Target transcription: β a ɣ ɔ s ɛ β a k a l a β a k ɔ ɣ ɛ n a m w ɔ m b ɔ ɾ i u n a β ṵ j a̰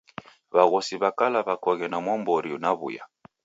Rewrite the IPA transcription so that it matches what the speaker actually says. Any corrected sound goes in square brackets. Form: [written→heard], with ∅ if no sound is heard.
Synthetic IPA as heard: β a ɣ ɔ s [ɛ→i] β a k a l a β a k ɔ ɣ ɛ n a m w ɔ m b ɔ ɾ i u n a β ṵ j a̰